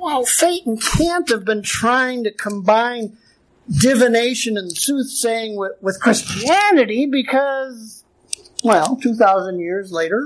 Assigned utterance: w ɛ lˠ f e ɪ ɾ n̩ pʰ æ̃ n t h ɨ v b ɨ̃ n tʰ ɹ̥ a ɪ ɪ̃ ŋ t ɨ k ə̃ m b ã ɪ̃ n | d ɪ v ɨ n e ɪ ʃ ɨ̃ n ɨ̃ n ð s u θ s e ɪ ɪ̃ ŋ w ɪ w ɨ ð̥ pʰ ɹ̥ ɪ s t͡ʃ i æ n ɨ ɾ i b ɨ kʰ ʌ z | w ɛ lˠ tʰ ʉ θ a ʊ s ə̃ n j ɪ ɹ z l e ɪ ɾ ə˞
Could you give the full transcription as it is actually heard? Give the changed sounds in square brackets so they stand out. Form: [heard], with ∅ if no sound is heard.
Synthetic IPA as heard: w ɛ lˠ f e ɪ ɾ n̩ [kʰ] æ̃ n t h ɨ v b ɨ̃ n tʰ ɹ̥ a ɪ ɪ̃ ŋ t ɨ [kʰ] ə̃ m b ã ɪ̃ n | d ɪ v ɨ n e ɪ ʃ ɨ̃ n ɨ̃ n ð s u θ s e ɪ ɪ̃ ŋ w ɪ w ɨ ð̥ [kʰ] ɹ̥ ɪ s t͡ʃ i æ n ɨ ɾ i b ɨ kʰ ʌ z | w ɛ lˠ tʰ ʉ θ a ʊ [z] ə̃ n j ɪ ɹ z l e ɪ ɾ ə˞